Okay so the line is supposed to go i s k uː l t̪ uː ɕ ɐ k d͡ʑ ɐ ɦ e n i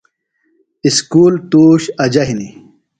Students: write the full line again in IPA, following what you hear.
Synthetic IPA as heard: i s k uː l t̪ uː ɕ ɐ d͡ʑ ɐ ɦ i n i